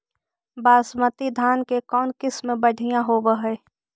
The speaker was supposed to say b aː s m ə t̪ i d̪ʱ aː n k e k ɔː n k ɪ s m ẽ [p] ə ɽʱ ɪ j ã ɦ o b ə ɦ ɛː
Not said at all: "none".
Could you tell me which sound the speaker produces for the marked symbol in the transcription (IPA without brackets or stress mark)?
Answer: b